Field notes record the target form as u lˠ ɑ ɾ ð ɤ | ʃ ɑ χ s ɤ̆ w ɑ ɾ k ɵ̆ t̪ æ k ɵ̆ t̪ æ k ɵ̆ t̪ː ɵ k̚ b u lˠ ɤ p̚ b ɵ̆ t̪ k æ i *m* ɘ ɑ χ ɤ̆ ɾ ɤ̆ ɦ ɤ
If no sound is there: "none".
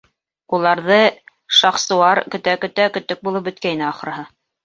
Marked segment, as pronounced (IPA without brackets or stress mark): n